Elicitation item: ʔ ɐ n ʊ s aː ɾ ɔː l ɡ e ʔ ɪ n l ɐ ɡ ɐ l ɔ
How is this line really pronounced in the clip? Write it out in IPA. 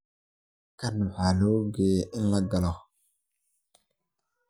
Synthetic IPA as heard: k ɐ n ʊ ħ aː l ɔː ɡ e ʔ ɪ n l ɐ ɡ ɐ l ɔ